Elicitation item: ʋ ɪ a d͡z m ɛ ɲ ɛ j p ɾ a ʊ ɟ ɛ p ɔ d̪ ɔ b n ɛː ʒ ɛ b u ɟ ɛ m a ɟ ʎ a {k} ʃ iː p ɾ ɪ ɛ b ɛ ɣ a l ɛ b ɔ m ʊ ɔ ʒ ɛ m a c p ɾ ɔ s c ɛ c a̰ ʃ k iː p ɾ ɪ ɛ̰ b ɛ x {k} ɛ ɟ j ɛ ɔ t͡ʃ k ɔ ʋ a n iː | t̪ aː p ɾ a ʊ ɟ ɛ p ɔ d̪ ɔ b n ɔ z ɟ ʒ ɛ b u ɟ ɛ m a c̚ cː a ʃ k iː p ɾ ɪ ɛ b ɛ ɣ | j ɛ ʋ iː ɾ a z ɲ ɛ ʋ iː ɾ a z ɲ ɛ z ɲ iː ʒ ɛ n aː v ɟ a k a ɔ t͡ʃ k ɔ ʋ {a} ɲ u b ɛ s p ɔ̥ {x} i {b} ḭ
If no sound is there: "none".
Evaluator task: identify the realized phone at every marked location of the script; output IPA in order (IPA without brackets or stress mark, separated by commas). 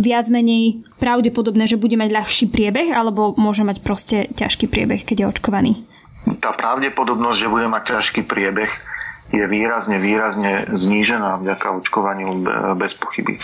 x, k, a, x, b